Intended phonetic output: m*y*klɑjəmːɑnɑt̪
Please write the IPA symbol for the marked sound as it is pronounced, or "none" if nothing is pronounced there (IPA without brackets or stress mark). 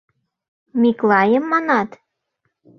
i